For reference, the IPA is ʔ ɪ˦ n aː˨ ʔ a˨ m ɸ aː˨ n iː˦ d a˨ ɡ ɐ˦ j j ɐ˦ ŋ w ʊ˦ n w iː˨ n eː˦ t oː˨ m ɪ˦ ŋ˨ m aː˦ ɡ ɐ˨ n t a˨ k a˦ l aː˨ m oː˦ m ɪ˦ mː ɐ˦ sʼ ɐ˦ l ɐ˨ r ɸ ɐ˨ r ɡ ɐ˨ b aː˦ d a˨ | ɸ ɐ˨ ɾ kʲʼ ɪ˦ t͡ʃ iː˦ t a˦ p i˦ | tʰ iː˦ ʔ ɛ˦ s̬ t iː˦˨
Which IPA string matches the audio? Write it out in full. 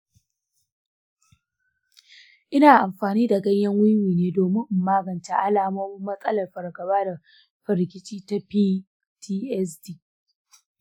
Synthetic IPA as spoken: ʔ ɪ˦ n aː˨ ʔ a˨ m ɸ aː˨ n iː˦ d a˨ ɡ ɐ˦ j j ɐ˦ ŋ w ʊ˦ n w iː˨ n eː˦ d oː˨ m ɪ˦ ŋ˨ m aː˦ ɡ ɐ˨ n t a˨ ʔ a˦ l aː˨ m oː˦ m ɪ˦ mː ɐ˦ sʼ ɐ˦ l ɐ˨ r ɸ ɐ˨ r ɡ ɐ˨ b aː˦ d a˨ | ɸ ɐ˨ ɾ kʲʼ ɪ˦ t͡ʃ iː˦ t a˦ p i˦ | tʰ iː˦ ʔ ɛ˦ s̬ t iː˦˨

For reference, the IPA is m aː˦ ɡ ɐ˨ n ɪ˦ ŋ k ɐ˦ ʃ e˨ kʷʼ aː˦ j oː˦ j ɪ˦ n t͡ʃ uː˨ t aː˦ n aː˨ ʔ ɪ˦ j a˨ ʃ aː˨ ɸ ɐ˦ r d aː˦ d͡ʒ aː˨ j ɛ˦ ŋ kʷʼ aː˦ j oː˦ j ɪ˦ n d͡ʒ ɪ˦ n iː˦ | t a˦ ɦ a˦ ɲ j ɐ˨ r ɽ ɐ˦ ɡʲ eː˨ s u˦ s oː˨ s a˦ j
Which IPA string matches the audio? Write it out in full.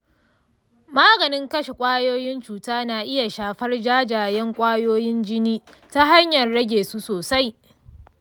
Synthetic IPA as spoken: m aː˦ ɡ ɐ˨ n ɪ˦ ŋ k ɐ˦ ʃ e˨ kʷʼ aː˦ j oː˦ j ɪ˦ n t͡ʃ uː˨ t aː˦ n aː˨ ʔ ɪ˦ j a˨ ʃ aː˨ ɸ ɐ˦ r d͡ʒ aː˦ d͡ʒ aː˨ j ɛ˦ ŋ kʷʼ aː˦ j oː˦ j ɪ˦ n d͡ʒ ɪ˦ n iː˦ | t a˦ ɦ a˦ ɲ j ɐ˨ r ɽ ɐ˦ ɡʲ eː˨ s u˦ s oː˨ s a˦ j

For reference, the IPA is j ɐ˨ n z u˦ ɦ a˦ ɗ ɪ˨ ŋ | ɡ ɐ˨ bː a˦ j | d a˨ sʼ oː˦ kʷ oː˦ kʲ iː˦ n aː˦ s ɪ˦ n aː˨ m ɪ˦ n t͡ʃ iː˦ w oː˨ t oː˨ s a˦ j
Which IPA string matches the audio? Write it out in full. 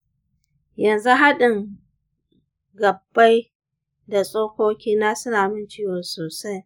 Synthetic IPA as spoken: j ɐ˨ n z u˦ ɦ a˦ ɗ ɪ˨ ŋ | ɡ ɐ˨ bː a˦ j | d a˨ sʼ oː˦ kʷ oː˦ kʲ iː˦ n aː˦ s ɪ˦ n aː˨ m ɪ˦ n t͡ʃ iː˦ w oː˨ s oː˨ s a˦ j

